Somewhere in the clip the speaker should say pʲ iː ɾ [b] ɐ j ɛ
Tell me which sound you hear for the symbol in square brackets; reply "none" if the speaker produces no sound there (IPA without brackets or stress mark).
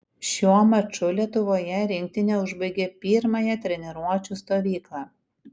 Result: m